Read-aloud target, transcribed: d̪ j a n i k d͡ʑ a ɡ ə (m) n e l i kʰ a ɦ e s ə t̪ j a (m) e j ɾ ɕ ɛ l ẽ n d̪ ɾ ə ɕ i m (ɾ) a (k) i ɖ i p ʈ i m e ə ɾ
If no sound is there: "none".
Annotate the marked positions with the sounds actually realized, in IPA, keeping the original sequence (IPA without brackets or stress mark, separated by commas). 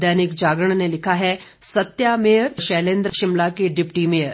ɳ, m, l, k